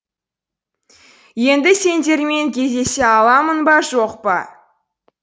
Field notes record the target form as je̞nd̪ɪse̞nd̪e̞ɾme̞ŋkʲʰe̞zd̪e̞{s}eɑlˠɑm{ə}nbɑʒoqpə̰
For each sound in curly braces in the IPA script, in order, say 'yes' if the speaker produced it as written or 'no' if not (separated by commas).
yes, yes